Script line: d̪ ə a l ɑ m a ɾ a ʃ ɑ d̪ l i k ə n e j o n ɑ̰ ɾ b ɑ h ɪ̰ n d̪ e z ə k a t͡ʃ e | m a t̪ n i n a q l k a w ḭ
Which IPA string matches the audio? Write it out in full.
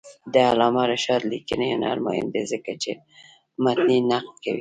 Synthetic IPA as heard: d̪ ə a l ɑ m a ɾ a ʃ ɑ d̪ l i k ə n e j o n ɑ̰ ɾ m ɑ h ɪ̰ n d̪ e z ə k a t͡ʃ e | m a t̪ n i n a q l k a w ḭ